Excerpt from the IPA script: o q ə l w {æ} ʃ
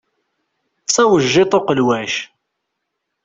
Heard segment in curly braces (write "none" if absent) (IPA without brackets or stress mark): æ